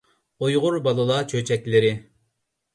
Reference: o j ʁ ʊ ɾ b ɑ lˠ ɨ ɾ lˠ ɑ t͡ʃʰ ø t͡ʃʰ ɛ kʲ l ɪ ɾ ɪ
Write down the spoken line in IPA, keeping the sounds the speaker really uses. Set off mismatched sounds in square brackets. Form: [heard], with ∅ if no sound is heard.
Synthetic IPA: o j ʁ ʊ ɾ b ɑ lˠ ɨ [∅] lˠ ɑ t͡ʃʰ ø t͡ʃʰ ɛ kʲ l ɪ ɾ ɪ